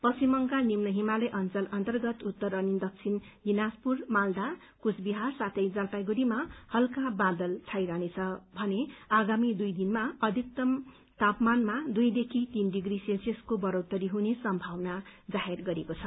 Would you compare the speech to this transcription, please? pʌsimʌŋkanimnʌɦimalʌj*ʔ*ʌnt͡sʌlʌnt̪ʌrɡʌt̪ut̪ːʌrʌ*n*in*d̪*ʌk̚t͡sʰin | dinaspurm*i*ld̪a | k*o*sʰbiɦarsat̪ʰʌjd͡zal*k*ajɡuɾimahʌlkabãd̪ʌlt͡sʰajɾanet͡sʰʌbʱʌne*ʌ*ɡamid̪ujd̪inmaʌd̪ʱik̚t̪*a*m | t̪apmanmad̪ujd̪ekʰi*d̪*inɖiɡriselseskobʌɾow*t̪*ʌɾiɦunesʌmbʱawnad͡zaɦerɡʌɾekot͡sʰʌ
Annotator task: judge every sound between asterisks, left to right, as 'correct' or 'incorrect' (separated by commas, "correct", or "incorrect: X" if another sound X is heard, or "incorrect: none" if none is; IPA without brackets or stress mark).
correct, correct, correct, incorrect: a, incorrect: u, incorrect: p, incorrect: a, incorrect: ʌ, incorrect: t̪, correct